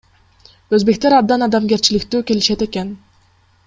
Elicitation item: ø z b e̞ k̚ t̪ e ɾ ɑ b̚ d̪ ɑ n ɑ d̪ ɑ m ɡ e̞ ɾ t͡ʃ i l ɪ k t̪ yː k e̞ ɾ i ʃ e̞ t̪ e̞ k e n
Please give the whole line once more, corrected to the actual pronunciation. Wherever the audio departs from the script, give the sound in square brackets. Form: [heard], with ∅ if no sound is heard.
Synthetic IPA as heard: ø z b e̞ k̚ t̪ e ɾ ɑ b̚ d̪ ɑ n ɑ d̪ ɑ m ɡ e̞ ɾ t͡ʃ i l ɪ k t̪ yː k e̞ [l] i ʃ e̞ t̪ e̞ k e n